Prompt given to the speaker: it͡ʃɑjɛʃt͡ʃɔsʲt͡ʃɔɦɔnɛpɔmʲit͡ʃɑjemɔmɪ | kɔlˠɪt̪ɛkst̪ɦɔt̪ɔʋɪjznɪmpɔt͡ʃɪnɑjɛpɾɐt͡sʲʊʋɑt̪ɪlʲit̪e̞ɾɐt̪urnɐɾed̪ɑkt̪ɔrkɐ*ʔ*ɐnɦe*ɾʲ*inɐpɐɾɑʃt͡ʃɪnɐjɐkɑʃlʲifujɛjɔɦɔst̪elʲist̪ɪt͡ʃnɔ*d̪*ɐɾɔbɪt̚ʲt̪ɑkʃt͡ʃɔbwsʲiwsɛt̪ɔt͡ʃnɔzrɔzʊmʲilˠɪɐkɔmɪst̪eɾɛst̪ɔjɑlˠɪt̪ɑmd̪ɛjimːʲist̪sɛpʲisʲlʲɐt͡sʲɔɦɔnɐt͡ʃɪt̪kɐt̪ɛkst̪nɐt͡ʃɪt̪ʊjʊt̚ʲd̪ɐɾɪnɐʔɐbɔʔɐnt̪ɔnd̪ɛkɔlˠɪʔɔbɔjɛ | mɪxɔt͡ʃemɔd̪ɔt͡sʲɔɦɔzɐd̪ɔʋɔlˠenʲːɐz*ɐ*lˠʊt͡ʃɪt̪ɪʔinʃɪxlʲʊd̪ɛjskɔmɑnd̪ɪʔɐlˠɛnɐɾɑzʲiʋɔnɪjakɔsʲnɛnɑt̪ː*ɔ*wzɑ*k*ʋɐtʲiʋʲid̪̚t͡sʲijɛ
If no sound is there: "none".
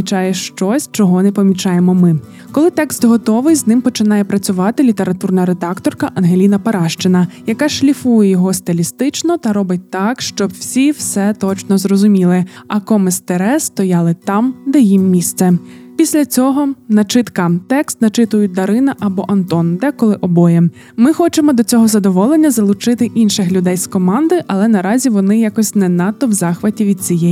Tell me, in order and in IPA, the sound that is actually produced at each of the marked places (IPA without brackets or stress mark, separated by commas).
ʔ, lʲ, t̪, ɐ, ɔ, x